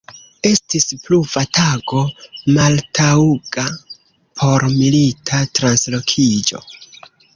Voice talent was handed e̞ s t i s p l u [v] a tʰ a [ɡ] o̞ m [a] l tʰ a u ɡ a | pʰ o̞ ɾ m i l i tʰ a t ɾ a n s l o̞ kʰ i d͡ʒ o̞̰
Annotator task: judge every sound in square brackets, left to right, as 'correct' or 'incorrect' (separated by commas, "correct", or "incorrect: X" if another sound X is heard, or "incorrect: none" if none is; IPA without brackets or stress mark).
correct, correct, correct